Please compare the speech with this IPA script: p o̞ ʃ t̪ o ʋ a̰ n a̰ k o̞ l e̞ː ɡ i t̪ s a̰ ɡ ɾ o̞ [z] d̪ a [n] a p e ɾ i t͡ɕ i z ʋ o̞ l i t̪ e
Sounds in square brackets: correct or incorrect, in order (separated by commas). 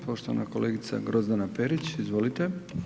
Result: correct, correct